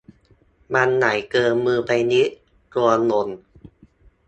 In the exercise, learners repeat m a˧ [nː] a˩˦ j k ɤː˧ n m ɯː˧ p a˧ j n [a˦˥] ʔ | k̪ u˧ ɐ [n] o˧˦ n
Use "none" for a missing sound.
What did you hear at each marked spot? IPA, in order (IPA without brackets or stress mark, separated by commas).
nː, i˦˥, n